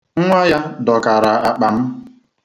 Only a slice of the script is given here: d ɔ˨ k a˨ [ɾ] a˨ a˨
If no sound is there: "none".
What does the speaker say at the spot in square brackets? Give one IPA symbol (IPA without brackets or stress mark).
ɾ